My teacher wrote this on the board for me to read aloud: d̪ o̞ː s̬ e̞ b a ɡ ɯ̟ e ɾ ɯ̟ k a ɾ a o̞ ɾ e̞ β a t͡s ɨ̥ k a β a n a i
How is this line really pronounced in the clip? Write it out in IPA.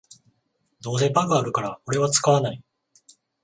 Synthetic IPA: d̪ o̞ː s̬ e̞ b a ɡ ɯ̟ a ɾ ɯ̟ k a ɾ a o̞ ɾ e̞ β a t͡s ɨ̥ k a β a n a i